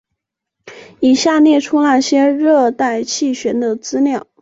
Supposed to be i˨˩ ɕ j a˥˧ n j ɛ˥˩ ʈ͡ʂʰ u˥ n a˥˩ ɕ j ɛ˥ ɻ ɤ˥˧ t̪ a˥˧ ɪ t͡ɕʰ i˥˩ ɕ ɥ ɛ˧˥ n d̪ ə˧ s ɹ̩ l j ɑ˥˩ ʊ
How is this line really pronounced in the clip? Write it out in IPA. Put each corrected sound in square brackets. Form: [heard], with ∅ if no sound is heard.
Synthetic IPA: i˨˩ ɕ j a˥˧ n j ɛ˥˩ ʈ͡ʂʰ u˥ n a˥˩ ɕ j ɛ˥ ɻ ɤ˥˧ t̪ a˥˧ ɪ t͡ɕʰ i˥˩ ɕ ɥ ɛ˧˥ n d̪ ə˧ [t͡s] ɹ̩ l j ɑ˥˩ ʊ